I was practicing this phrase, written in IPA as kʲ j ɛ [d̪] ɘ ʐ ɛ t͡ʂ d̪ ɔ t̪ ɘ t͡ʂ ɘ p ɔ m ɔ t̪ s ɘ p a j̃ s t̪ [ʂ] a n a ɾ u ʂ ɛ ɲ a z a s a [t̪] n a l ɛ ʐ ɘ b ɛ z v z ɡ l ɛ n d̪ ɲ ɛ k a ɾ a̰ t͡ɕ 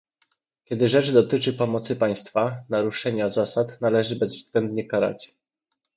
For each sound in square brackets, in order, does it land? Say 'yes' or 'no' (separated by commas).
yes, no, yes